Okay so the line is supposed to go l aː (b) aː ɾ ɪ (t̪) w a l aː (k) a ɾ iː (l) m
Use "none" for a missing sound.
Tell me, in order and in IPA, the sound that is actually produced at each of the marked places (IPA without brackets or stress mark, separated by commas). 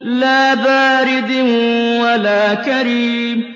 b, d̪, k, none